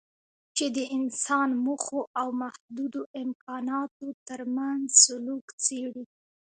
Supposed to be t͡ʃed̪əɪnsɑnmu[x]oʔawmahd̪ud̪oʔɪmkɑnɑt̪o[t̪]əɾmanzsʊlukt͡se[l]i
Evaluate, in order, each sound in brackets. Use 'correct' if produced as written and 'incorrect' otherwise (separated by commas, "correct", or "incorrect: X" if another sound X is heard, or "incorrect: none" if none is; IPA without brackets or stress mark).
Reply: correct, correct, incorrect: ɽ